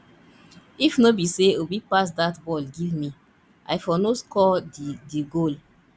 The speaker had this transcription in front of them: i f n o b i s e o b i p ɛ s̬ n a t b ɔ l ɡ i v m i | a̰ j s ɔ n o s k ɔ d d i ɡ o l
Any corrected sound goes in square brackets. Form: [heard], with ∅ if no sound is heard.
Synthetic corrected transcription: i f n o b i s e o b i p [a] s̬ [d] a t b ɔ l ɡ i v m i | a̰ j [f] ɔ n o s k ɔ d d i ɡ o l